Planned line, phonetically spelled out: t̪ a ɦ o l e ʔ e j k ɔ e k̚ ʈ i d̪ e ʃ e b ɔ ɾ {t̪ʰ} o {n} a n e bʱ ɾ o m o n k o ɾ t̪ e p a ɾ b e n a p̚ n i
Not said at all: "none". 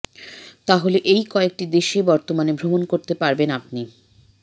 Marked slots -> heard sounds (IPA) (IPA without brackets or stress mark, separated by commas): t̪, m